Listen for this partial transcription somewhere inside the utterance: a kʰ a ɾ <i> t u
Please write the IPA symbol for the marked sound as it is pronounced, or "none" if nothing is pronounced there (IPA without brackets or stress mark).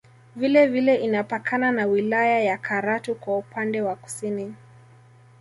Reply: a